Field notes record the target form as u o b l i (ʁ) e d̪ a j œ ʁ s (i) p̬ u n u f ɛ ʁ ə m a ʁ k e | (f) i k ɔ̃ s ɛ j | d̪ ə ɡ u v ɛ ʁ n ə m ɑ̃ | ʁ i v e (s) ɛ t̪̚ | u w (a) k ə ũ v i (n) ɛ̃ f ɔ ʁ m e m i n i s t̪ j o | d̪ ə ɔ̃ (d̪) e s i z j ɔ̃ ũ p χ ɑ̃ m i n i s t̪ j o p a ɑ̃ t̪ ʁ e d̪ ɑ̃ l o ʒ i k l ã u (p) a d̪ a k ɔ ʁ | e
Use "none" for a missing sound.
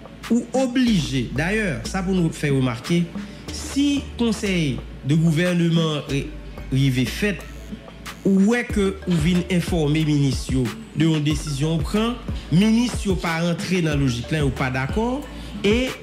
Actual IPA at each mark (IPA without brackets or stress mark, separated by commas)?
ʒ, a, s, f, ɛ, n, d̪, p